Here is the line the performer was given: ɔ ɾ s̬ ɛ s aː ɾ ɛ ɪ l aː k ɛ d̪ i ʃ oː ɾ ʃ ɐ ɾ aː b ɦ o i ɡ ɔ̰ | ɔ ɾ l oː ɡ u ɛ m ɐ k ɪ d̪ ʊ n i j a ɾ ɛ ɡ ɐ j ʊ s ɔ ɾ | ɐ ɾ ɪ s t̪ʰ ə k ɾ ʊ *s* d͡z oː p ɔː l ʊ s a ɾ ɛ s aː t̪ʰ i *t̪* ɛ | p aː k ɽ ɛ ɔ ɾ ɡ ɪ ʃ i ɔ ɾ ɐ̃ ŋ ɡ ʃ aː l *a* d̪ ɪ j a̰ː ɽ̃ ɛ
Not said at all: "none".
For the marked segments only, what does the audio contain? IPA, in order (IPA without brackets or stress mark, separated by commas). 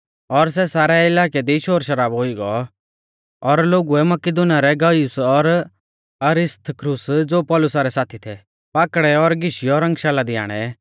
s, t̪ʰ, a